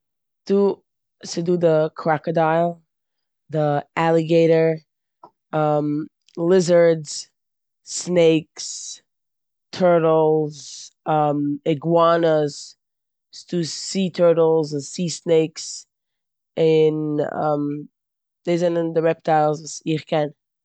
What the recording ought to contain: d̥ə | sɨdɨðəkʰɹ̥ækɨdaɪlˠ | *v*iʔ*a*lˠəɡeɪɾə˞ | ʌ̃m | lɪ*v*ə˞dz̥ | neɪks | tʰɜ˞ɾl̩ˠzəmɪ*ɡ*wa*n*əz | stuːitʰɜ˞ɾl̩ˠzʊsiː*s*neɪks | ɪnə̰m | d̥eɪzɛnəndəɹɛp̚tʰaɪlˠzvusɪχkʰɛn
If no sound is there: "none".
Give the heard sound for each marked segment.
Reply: ð, æ, z, ɡ, n, s

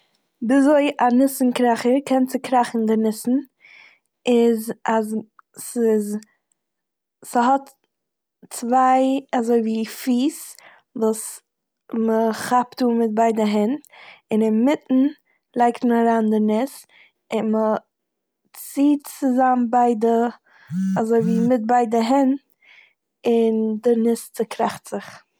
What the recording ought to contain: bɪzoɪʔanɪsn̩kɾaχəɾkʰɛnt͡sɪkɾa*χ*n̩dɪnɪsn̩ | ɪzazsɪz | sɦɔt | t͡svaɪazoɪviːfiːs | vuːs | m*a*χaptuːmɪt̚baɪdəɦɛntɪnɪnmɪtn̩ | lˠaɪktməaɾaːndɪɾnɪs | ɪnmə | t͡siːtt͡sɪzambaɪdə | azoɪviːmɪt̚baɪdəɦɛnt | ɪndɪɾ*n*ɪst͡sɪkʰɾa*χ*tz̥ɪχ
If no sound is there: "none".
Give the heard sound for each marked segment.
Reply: χ, ə, n, χ

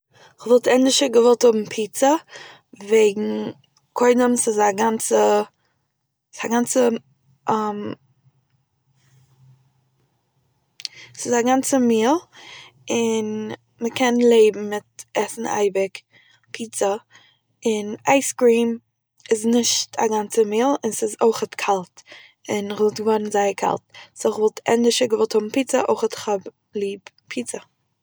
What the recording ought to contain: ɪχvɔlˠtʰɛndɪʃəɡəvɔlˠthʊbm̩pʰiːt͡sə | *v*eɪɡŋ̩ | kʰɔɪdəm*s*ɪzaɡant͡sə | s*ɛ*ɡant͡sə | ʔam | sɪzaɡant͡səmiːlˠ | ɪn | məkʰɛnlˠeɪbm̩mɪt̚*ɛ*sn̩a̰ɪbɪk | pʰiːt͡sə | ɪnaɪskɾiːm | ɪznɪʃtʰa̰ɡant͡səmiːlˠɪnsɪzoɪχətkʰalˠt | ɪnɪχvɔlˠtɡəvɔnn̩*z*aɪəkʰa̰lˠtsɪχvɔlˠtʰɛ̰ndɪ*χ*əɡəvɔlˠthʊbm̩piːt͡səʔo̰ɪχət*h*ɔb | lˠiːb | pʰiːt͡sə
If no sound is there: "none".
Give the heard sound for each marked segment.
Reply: v, s, a, ɛ, z, ʃ, χ

